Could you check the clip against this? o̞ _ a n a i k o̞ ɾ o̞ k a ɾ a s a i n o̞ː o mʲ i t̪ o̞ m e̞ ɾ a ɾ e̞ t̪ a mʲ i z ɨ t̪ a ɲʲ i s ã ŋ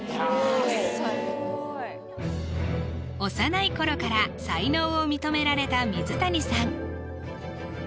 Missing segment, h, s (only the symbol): s